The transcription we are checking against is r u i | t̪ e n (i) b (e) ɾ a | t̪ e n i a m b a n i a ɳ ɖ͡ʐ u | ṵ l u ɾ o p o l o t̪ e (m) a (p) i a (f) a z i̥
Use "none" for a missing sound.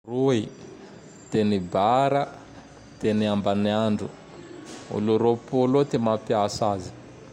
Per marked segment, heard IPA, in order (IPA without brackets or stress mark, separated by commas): i, a, m, p, s